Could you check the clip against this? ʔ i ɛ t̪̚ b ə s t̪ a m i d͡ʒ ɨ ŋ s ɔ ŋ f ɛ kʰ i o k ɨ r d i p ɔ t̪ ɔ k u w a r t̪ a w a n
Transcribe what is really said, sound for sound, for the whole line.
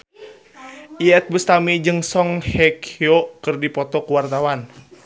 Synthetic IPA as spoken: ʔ i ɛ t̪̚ b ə s t̪ a m i d͡ʒ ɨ ŋ s ɔ ŋ h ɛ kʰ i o k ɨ r d i p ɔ t̪ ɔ k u w a r t̪ a w a n